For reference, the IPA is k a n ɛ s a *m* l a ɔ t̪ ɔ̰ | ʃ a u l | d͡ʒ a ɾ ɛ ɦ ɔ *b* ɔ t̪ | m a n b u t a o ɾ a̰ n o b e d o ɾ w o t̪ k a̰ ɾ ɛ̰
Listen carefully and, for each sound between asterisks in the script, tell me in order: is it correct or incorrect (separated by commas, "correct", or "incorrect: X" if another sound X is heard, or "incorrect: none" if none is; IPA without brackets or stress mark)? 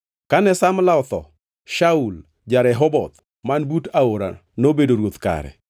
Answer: correct, correct